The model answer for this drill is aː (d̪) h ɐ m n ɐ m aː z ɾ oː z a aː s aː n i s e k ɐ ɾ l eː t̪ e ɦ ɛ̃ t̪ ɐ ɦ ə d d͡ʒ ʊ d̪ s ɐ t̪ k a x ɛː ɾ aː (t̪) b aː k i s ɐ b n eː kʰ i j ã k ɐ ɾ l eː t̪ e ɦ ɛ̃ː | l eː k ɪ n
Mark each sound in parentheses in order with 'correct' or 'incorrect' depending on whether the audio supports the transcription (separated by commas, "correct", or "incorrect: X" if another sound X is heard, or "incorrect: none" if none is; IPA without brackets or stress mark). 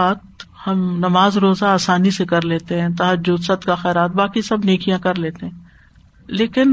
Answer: incorrect: t̪, correct